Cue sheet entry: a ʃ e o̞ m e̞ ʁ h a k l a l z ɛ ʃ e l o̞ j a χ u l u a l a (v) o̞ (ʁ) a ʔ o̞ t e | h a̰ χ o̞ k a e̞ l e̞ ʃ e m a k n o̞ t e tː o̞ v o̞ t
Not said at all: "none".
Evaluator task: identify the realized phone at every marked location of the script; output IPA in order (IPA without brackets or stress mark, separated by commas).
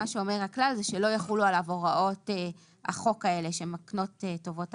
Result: v, ʁ